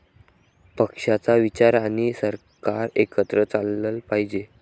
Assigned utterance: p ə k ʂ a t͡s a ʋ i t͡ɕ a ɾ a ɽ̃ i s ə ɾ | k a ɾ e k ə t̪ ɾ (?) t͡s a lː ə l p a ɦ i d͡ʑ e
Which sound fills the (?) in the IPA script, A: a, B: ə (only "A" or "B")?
B